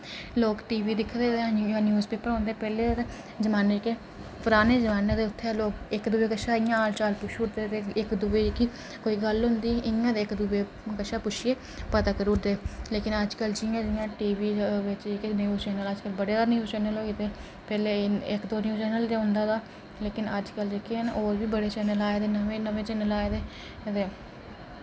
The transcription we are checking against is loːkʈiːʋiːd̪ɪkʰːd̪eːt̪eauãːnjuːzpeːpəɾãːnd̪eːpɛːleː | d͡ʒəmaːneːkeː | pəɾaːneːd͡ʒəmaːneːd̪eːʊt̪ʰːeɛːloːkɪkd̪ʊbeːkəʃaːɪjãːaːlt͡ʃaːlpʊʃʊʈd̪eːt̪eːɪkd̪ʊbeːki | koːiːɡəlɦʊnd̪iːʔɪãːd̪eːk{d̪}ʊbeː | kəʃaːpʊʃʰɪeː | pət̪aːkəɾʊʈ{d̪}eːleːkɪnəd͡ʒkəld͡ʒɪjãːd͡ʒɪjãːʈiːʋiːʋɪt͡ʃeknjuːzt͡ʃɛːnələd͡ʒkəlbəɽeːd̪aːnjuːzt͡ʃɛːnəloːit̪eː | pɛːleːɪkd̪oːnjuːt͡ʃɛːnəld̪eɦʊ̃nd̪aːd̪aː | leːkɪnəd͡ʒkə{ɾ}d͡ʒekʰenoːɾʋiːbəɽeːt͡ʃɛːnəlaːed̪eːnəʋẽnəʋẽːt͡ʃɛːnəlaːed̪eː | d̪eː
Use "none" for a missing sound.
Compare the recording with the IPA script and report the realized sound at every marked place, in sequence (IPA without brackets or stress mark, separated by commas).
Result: d̪, d̪, l